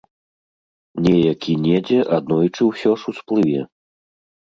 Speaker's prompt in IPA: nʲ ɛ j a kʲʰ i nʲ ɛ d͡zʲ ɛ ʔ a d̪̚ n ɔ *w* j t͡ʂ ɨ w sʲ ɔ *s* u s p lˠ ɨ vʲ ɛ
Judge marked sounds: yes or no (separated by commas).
no, no